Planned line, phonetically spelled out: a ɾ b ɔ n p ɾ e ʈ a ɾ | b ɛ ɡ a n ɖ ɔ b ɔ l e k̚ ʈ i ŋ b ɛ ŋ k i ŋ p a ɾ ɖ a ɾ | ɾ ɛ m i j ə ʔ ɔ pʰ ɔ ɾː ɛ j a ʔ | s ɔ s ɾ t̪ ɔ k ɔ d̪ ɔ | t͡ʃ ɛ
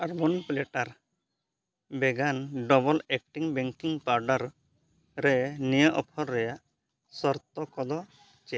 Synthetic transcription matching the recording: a ɾ b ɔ n p l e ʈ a ɾ | b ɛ ɡ a n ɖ ɔ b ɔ l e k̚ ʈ i ŋ b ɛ ŋ k i ŋ p a ɾ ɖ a ɾ | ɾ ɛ n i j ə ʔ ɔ pʰ ɔ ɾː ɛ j a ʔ | s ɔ ɾ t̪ ɔ k ɔ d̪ ɔ | t͡ʃ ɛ